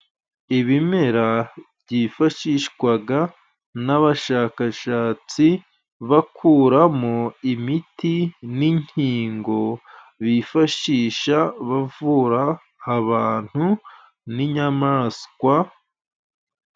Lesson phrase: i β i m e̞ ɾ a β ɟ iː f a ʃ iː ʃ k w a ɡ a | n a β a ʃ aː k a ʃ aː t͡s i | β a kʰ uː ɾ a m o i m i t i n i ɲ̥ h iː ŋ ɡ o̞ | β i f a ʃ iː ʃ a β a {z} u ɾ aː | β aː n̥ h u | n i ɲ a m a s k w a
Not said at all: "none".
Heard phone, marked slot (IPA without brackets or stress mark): v